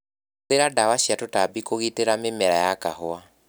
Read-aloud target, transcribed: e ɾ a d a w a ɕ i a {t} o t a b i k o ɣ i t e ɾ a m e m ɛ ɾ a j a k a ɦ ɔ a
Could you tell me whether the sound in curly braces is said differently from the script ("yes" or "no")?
no